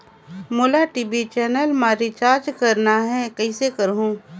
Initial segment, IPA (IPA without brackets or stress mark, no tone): m